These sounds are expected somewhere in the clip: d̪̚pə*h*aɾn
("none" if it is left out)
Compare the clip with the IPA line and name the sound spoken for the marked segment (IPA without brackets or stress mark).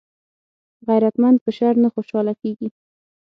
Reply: ʃ